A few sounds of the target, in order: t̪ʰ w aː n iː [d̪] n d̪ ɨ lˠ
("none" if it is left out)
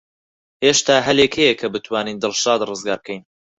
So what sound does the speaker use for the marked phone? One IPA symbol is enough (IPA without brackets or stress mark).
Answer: none